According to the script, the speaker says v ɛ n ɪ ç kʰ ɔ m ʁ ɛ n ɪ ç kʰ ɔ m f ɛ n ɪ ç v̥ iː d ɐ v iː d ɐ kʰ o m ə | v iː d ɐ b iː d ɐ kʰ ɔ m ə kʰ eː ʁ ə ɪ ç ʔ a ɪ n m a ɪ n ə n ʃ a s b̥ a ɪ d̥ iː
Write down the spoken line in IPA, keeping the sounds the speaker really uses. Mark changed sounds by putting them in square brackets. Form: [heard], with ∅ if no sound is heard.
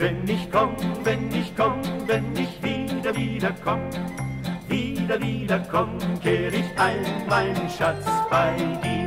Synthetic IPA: v ɛ n ɪ ç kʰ ɔ m [v] ɛ n ɪ ç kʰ ɔ m [v] ɛ n ɪ ç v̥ iː d ɐ v iː d ɐ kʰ [ɔ] m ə | v iː d ɐ [v] iː d ɐ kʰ ɔ m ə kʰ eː ʁ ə ɪ ç ʔ a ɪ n m a ɪ n ə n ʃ a [t͡s] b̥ a ɪ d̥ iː